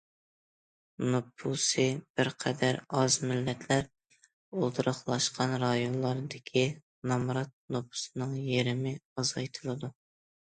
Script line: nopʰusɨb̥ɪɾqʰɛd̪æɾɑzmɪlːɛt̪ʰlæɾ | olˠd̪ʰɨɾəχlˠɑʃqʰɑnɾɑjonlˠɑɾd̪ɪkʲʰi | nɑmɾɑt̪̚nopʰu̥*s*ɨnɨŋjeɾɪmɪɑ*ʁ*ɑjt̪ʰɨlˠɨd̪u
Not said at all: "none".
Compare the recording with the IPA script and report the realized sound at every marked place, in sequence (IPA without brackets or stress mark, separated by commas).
s, z